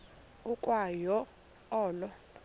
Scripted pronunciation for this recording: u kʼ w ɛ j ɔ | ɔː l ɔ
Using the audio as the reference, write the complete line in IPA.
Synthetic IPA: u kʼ w a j ɔ | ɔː l ɔ

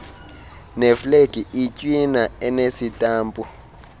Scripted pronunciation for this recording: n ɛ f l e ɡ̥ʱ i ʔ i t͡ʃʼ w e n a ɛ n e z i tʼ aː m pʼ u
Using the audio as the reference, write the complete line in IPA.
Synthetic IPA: n ɛ f l e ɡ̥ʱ i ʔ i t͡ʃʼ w i n a ɛ n e s i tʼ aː m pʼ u

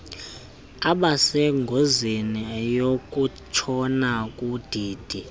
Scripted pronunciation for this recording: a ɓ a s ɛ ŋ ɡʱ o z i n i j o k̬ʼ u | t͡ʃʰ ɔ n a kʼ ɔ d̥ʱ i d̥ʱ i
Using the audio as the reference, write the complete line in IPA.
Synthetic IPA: a ɓ a s ɛ ŋ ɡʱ o z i n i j o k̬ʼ u | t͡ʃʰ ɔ n a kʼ u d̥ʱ iː d̥ʱ i

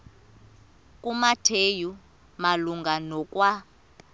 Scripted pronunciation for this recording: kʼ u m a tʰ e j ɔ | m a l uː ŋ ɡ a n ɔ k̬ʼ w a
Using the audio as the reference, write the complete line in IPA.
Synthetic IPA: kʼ u m a tʰ e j u | m a l u ŋ ɡ a n ɔ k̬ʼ w a

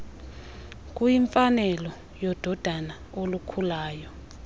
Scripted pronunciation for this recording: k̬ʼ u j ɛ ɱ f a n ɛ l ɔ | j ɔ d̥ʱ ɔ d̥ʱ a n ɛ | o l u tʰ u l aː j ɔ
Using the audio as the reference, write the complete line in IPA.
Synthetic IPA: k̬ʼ u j i ɱ f a n ɛ l ɔ | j ɔ d̥ʱ ɔ d̥ʱ a n a | o l u kʰ u l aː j ɔ

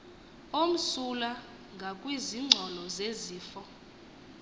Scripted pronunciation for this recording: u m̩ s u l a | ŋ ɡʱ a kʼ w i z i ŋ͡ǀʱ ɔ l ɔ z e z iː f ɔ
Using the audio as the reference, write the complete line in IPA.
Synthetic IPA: o m̩ s u l a | ŋ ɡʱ a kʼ w i z i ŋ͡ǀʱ ɔ l ɔ z e z iː f ɔ

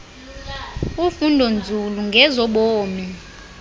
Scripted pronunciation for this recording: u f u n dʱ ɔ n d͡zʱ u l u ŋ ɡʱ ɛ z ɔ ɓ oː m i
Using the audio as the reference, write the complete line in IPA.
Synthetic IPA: u f u n dʱ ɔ n d͡zʱ u l u ŋ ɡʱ ɛ z ɔ ɓ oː m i

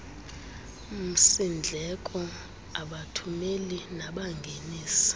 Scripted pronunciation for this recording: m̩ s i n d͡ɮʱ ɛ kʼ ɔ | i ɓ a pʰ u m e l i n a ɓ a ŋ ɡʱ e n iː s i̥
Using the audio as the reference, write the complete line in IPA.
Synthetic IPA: m̩ s i n d͡ɮʱ ɛ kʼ ɔ | a ɓ a tʰ u m e l i n a ɓ a ŋ ɡʱ e n iː s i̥

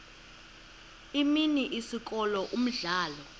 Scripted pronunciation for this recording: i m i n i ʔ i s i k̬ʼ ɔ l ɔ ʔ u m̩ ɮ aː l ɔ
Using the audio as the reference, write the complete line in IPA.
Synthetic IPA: i m i n i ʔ i s i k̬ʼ ɔ l ɔ ʔ u m̩ ɮ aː l ɔ

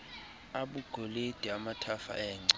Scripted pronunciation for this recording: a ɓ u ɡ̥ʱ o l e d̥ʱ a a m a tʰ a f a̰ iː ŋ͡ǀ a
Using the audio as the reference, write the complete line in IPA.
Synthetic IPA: a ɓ u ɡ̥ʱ o l e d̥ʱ i a m a tʰ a f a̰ ɛː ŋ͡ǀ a

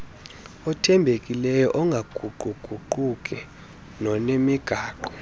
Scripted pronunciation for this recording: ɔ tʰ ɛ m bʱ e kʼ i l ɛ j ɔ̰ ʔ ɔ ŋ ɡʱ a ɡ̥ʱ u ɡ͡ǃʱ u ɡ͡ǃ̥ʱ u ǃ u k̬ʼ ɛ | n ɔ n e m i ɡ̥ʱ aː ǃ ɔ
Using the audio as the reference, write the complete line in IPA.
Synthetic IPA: ɔ tʰ ɛ m bʱ e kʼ i l ɛ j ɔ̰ ʔ ɔ ŋ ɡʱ a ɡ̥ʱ u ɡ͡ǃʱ u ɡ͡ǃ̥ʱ u ǃ u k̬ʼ ɛ | n ɔ n e m i ɡ̥ʱ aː ǃ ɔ

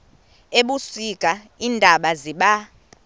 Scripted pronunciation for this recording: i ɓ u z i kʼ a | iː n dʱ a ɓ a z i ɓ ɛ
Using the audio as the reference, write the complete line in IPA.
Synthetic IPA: e ɓ u s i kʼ a | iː n dʱ a ɓ a z i ɓ a

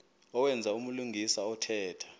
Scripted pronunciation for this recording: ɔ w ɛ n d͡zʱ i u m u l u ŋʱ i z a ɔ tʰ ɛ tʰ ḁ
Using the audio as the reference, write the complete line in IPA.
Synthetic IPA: ɔ w ɛ n d͡zʱ a u m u l u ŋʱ i s a ɔ tʰ ɛː tʰ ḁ

